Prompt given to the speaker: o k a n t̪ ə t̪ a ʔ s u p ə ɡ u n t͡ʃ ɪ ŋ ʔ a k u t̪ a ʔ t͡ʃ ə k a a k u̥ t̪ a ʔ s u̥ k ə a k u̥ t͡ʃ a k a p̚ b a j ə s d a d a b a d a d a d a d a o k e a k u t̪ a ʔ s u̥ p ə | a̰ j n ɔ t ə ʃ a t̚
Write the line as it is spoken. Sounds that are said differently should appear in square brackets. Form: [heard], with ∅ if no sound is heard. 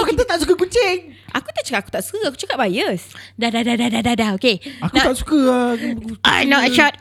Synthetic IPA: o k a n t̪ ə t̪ a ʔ s u [k] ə [k] u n t͡ʃ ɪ ŋ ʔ a k u t̪ a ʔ t͡ʃ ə k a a k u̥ t̪ a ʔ s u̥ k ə a k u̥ t͡ʃ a k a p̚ b a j ə s d a d a [d] a d a d a d a d a o k e a k u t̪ a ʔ s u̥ [k] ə | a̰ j n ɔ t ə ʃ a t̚